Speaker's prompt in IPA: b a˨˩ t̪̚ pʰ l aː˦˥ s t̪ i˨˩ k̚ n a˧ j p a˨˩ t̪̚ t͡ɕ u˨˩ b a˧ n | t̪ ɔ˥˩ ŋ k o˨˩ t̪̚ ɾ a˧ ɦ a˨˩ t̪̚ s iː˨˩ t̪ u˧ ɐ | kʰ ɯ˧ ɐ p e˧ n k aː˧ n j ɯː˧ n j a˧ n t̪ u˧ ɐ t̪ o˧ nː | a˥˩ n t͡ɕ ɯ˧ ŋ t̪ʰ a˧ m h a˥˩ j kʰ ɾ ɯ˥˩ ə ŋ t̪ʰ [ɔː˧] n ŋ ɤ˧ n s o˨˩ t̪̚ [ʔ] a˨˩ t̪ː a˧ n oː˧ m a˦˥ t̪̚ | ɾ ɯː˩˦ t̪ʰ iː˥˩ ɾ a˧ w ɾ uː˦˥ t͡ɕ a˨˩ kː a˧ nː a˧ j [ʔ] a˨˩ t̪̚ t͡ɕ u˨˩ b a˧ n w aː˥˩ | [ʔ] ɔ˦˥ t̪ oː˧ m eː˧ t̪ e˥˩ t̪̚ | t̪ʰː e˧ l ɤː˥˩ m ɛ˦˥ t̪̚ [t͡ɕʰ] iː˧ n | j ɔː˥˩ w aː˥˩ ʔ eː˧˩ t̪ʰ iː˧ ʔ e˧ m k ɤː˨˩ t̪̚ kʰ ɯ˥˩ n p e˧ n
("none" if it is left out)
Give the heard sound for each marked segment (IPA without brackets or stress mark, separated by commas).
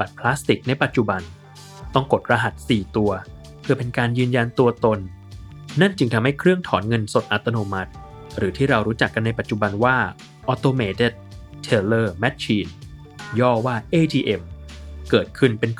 ɔː˩˦, ʔ, p, ʔ, t͡ɕʰ